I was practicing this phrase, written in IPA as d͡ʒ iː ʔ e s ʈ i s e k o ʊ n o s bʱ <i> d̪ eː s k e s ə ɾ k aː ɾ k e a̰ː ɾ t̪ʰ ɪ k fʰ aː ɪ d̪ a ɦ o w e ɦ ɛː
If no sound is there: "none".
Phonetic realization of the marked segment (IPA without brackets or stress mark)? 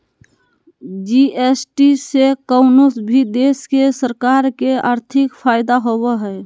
i